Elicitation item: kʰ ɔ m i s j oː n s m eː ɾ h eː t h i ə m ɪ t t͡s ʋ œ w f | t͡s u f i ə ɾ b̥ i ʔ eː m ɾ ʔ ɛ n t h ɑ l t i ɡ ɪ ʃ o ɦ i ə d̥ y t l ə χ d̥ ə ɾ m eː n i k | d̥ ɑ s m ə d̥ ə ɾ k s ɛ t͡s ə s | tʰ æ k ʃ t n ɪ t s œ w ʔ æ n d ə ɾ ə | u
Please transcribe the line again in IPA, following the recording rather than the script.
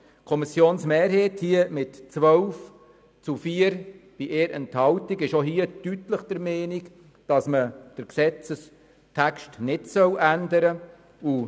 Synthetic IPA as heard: kʰ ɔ m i s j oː n s m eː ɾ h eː t h i ə m ɪ t t͡s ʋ œ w f | t͡s u f i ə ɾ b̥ i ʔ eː ɾ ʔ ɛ n t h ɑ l t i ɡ ɪ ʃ o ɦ i ə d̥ y t l ə χ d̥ ə ɾ m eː n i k | d̥ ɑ s m ə d̥ ə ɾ k s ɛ t͡s ə s | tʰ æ k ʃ t n ɪ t s œ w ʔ æ n d ə ɾ ə | u